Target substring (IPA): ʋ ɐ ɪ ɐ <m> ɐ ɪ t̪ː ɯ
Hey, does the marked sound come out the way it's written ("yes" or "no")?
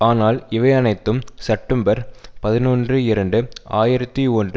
no